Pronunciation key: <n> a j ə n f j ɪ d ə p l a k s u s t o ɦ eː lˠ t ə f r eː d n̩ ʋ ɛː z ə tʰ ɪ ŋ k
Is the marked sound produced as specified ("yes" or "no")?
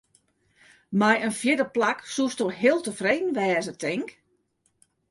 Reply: no